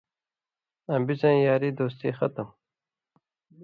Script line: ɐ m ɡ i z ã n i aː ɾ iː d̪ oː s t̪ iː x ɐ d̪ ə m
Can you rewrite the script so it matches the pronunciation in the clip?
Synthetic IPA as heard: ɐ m b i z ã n j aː ɾ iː d̪ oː s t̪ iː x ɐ t̪ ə m